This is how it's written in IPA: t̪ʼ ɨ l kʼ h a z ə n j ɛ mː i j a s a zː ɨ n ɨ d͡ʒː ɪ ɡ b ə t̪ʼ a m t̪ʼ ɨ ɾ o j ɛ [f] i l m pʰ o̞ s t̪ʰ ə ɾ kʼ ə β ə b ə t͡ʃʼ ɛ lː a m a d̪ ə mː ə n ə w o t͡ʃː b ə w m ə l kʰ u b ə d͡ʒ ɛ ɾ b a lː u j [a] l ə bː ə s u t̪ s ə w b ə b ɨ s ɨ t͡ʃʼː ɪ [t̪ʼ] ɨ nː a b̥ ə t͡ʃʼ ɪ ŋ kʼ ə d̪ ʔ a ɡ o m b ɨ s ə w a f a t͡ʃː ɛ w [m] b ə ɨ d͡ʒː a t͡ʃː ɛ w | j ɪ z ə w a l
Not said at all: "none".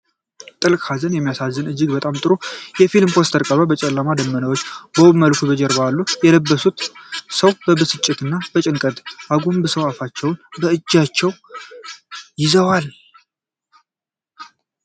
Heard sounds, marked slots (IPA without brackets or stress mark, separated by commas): f, ɛ, t̪, n